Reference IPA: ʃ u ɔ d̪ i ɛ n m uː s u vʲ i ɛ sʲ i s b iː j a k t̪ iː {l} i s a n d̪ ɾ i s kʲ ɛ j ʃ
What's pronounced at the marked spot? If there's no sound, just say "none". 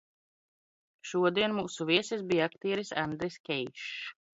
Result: ɾ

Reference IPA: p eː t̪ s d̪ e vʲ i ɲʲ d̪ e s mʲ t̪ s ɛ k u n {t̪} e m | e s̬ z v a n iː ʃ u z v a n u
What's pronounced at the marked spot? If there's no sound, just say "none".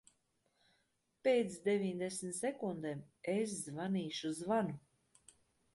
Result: d̪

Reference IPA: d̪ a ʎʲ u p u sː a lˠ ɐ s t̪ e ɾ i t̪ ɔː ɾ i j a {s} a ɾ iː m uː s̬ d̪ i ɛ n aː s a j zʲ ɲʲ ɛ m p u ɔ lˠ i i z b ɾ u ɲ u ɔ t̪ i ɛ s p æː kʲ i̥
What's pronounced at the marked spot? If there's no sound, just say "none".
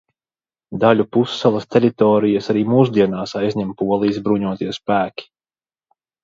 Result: s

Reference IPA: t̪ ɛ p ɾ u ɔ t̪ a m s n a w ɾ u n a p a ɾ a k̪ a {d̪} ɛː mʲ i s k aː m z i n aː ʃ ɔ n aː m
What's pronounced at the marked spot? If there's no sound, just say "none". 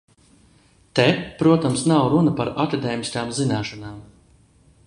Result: d̪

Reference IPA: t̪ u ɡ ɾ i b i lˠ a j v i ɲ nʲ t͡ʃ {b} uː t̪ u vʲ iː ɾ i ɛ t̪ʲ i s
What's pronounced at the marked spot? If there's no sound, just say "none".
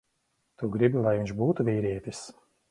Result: b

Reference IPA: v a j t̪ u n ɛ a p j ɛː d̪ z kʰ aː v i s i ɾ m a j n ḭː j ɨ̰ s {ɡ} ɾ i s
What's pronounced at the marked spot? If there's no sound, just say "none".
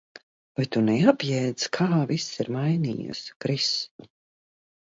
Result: k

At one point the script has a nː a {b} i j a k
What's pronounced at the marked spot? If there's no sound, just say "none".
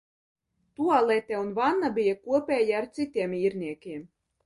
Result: b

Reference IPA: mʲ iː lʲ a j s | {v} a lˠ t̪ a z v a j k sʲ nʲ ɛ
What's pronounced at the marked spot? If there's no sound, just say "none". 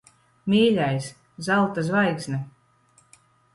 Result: z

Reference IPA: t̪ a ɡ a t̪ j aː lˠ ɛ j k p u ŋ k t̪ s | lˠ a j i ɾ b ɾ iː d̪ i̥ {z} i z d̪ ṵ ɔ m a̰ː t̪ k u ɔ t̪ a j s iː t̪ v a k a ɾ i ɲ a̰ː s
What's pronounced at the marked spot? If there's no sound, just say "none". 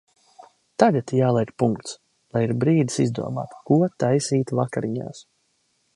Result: s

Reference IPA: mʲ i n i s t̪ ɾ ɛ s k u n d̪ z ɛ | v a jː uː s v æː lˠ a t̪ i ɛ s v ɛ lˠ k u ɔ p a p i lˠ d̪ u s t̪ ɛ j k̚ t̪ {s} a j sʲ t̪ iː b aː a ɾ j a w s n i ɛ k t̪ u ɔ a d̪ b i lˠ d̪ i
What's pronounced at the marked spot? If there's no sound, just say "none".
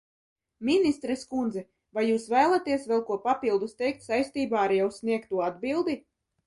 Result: s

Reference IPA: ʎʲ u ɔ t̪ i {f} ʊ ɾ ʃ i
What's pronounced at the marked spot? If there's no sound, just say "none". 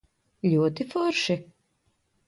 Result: f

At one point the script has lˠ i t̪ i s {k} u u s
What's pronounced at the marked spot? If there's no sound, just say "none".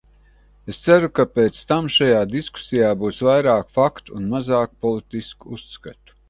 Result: k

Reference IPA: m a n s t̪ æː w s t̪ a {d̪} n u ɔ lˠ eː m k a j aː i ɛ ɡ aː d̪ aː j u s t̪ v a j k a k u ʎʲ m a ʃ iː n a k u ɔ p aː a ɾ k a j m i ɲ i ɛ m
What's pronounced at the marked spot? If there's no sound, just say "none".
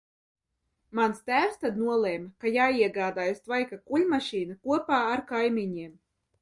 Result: d̪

